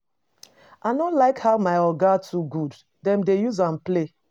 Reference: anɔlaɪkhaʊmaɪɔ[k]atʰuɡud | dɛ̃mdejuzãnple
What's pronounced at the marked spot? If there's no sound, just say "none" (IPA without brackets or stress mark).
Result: ɡ